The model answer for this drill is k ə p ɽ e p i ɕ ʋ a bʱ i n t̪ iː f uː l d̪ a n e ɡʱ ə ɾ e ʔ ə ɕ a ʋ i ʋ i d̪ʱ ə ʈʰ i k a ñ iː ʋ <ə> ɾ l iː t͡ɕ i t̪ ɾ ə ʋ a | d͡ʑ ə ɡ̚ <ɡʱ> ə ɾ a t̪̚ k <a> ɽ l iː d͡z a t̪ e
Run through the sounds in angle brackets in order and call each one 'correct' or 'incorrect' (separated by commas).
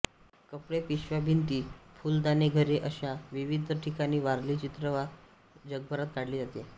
incorrect, incorrect, correct